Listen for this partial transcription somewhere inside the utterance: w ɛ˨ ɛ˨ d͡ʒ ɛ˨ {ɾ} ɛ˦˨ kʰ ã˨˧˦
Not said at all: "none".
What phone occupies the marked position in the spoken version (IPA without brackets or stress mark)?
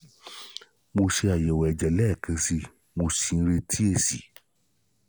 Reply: l